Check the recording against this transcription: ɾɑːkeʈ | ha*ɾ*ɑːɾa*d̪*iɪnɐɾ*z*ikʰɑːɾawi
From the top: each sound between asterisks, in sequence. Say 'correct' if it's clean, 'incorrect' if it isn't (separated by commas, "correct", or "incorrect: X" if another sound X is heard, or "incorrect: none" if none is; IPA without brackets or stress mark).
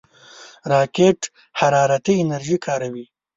correct, incorrect: t̪, incorrect: ʒ